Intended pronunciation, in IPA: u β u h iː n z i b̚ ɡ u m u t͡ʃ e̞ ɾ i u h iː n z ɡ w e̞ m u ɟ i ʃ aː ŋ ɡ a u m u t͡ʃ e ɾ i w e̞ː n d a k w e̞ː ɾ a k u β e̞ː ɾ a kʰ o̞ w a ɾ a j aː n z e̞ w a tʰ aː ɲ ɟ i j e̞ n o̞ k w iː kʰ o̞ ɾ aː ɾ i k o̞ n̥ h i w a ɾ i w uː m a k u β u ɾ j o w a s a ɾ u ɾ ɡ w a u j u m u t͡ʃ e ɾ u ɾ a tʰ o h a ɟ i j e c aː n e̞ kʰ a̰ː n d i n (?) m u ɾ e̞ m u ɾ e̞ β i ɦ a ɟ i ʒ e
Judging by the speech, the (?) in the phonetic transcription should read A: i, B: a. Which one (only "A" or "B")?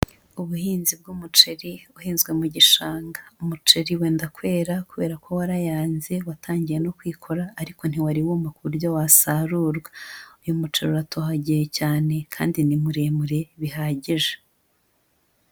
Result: A